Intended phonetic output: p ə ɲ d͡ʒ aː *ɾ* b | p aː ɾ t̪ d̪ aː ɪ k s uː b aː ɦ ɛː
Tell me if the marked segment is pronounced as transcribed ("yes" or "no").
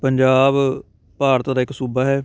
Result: no